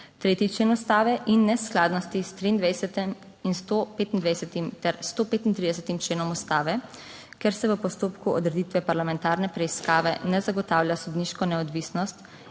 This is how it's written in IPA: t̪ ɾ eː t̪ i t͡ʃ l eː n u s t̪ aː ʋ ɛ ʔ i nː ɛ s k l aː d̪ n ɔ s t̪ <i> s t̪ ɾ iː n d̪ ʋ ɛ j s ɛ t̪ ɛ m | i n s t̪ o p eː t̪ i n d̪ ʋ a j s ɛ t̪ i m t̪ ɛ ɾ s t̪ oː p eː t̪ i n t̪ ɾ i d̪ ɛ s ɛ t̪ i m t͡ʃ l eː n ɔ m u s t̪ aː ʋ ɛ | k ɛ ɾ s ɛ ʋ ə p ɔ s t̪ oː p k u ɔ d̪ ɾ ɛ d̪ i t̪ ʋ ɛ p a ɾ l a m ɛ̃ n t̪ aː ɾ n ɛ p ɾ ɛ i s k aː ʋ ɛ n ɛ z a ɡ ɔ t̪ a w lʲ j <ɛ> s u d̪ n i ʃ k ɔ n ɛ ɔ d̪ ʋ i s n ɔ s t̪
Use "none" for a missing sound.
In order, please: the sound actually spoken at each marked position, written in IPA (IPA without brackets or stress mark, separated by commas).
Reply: i, a